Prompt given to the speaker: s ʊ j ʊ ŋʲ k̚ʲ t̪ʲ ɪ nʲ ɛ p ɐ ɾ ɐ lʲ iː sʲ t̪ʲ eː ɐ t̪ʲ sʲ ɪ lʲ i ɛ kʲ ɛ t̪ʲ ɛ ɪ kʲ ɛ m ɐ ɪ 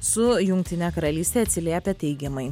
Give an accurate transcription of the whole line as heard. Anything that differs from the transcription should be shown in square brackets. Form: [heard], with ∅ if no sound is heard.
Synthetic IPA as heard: s ʊ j ʊ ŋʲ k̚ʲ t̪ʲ ɪ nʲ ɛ [k] ɐ ɾ ɐ lʲ iː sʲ t̪ʲ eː ɐ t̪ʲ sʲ ɪ lʲ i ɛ [pʲ] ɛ t̪ʲ ɛ ɪ [ɡʲ] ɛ m ɐ ɪ